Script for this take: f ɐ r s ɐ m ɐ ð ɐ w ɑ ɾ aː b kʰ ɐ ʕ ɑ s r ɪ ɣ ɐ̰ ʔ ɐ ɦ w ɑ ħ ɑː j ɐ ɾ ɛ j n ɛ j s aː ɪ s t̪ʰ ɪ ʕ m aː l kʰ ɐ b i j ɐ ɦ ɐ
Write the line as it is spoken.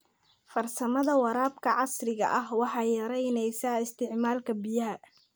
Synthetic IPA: f ɐ r s ɐ m ɐ ð ɐ w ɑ ɾ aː b kʰ ɐ ʕ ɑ s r ɪ ɣ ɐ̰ ʔ ɐ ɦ w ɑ ħ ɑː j ɐ ɾ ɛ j n ɛ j s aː ɪ s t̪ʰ ɪ ʕ m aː l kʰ ɐ b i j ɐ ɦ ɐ